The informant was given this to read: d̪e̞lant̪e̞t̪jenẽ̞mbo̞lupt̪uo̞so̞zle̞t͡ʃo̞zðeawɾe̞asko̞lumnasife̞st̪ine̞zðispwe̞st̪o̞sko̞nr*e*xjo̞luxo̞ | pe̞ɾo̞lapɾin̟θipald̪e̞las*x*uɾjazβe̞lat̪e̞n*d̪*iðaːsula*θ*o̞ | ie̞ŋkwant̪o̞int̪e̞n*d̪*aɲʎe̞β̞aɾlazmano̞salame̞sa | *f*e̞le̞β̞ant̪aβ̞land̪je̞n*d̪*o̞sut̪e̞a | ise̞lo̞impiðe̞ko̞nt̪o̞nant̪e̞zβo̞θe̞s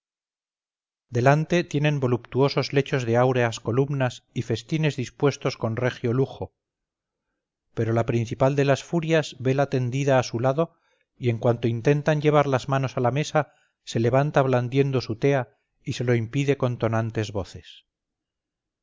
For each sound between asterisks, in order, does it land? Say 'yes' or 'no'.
yes, no, yes, no, no, no, yes

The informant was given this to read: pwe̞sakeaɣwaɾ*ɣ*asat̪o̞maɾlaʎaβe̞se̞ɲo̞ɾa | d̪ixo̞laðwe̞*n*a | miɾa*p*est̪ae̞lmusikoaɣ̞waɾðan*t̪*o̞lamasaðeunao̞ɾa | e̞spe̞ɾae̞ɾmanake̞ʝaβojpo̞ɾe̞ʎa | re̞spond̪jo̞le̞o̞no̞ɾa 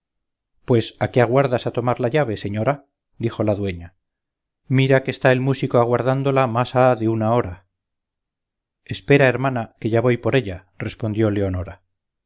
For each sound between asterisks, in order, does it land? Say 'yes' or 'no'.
no, no, no, no

